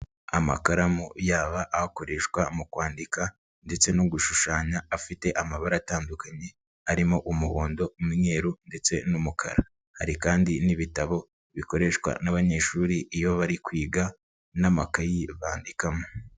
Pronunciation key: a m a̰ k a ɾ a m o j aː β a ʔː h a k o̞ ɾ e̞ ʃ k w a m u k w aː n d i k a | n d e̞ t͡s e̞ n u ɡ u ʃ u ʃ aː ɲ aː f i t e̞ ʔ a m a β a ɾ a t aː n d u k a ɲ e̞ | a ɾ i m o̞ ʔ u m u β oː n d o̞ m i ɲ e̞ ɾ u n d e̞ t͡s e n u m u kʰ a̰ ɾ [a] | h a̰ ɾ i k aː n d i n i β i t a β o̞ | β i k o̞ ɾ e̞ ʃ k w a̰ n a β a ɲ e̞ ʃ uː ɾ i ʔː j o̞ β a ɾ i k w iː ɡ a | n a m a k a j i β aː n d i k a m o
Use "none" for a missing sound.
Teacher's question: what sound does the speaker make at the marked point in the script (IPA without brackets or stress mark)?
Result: a